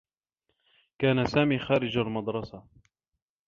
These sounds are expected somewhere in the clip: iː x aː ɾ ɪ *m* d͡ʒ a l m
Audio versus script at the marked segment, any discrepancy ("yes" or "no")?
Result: yes